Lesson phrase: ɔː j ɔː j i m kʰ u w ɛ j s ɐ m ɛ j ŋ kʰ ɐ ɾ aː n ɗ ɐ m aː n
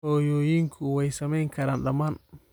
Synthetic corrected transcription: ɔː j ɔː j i ŋ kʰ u w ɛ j s ɐ m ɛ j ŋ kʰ ɐ ɾ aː n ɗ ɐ m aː n